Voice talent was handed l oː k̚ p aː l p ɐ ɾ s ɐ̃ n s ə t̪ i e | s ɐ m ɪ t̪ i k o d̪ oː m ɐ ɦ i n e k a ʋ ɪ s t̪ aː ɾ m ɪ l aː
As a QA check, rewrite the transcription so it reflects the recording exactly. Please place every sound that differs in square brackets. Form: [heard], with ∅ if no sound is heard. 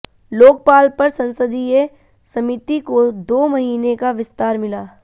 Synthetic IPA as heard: l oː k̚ p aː l p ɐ ɾ s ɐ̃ n s ə [d̪] i e | s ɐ m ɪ t̪ i k o d̪ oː m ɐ ɦ [iː] n e k a ʋ ɪ s t̪ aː ɾ m ɪ l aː